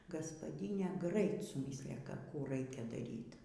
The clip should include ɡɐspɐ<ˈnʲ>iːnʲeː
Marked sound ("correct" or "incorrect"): incorrect